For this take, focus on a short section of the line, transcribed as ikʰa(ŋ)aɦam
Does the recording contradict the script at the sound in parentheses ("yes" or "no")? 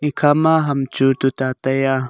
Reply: yes